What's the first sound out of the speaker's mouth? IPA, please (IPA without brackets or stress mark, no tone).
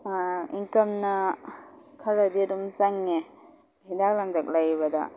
i